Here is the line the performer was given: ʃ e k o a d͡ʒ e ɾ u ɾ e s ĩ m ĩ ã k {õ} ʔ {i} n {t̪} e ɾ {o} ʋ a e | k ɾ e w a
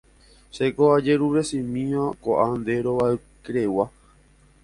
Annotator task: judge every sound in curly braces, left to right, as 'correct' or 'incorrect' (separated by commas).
incorrect, incorrect, incorrect, correct